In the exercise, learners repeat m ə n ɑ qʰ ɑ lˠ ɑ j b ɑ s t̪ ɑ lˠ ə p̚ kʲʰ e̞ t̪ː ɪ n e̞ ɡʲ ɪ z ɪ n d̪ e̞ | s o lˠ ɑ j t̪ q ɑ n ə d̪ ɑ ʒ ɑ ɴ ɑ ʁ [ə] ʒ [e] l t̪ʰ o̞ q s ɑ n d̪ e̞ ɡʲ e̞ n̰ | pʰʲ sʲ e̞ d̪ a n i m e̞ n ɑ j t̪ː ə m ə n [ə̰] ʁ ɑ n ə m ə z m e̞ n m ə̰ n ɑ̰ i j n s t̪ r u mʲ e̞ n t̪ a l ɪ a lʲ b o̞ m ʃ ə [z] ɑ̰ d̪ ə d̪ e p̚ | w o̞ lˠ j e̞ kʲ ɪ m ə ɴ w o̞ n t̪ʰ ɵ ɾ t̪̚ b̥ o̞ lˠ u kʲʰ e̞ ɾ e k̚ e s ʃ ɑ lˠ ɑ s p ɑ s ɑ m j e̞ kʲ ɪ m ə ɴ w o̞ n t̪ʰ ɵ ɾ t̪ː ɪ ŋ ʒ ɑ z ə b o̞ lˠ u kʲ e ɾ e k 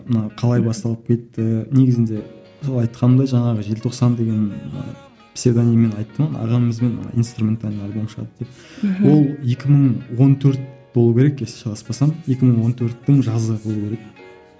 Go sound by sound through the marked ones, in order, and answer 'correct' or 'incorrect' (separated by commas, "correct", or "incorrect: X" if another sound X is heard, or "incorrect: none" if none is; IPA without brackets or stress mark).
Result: correct, correct, incorrect: ɑ̰, incorrect: ʁ